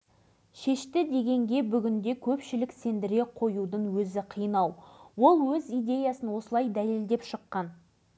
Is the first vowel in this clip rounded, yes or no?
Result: no